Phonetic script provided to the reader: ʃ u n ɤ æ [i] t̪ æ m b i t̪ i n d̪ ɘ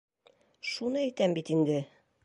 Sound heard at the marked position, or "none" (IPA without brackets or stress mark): j